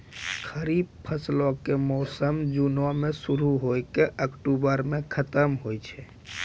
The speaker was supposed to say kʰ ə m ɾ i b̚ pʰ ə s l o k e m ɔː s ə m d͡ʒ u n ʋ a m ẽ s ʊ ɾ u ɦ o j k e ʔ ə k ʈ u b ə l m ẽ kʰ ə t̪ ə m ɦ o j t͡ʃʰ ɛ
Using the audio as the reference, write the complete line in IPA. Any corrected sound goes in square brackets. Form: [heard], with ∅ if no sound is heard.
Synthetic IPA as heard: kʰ ə [∅] ɾ i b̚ pʰ ə s l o k e m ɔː s ə m d͡ʒ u n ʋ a m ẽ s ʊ ɾ u ɦ o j k e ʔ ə k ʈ u b ə [ɾ] m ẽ kʰ ə t̪ ə m ɦ o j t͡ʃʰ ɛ